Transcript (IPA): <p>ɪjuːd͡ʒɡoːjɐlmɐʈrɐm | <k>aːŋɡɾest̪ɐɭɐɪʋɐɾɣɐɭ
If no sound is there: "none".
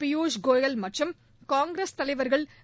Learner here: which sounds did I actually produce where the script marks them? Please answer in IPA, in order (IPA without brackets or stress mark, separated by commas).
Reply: p, k